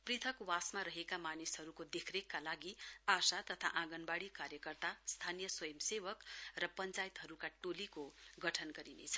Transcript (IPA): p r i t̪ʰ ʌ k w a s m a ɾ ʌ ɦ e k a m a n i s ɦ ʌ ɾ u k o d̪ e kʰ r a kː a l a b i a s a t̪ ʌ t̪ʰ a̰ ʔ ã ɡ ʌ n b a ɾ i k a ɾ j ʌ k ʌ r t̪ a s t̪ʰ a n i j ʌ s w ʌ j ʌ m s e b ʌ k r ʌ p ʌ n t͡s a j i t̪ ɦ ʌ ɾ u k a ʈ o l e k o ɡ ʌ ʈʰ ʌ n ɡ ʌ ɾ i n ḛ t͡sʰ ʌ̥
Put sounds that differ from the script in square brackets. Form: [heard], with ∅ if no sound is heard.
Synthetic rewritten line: p r i t̪ʰ ʌ k w a s m a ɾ ʌ ɦ e k a m a n i s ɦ ʌ ɾ u k o d̪ e kʰ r [e] kː a l a [ɡ] i a s a t̪ ʌ t̪ʰ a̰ ʔ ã ɡ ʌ n b a [ɽ] i k a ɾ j ʌ k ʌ r t̪ a s t̪ʰ a n i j ʌ s w ʌ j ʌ m s e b ʌ k r ʌ p ʌ n t͡s a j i t̪ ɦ ʌ ɾ u k a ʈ o l [i] k o ɡ ʌ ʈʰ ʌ n ɡ ʌ ɾ i n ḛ t͡sʰ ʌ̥